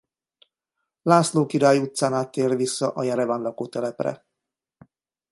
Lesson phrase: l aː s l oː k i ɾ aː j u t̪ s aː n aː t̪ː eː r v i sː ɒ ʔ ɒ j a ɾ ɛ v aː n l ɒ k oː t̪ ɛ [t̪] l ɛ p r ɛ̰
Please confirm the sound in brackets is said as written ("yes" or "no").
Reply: no